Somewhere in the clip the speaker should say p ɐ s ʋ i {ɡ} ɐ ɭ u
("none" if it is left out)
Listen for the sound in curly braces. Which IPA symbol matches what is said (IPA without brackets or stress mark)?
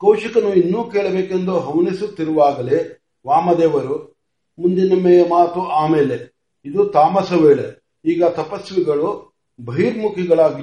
ɡ